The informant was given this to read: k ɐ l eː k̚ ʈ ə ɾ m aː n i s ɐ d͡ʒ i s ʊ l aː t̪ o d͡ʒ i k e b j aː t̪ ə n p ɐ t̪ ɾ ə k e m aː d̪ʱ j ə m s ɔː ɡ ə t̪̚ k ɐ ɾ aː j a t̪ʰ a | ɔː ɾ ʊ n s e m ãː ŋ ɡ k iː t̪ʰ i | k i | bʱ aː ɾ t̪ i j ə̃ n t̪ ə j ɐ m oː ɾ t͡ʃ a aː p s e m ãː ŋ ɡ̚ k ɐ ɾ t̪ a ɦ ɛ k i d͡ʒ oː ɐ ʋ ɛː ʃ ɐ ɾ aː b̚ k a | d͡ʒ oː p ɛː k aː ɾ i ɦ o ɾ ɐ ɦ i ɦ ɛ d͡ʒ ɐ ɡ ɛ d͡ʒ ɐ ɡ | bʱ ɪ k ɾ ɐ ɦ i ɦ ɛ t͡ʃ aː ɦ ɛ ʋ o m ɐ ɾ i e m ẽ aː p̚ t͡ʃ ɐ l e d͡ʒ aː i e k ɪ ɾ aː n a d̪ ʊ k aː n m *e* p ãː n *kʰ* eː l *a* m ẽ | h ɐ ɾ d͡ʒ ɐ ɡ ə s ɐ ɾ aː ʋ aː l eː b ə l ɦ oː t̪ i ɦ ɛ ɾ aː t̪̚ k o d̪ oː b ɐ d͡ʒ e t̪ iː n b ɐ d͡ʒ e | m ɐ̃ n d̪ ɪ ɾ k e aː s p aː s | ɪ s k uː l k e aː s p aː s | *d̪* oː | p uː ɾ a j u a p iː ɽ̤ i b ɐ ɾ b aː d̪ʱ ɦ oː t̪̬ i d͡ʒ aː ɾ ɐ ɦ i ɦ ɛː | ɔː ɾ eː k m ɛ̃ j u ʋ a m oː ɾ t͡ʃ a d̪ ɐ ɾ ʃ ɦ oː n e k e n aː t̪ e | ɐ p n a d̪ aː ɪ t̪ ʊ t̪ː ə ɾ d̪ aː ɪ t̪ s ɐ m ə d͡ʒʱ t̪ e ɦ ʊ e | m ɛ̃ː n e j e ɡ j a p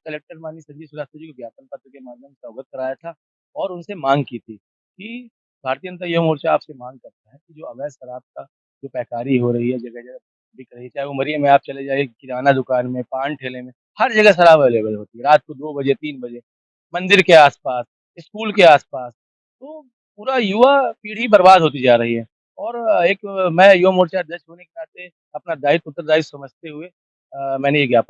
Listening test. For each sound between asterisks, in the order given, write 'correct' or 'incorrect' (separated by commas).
incorrect, incorrect, incorrect, incorrect